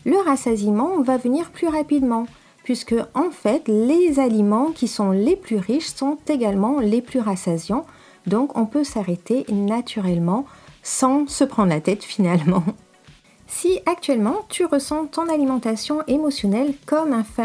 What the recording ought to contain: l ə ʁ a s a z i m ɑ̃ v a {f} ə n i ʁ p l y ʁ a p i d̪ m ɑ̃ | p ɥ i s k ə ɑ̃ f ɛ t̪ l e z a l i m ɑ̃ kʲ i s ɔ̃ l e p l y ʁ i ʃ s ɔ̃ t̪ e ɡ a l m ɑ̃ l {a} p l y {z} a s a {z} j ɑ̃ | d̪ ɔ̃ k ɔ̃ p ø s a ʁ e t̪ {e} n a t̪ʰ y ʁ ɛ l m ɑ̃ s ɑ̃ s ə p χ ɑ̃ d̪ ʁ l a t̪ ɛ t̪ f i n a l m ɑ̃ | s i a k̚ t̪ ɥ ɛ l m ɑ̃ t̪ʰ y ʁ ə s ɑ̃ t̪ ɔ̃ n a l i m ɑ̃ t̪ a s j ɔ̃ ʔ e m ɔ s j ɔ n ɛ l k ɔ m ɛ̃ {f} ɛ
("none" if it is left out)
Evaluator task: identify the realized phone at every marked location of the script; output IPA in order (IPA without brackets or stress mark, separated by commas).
v, e, ʁ, z, e, f